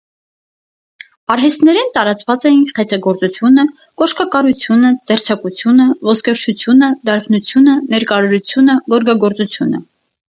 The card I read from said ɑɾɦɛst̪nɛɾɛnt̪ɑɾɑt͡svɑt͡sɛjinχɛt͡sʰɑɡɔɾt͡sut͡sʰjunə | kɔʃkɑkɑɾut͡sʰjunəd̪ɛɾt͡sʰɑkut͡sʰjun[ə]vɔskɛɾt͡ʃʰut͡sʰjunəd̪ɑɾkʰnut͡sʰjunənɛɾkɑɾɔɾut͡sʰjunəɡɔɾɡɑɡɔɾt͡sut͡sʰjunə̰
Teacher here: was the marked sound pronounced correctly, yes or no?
yes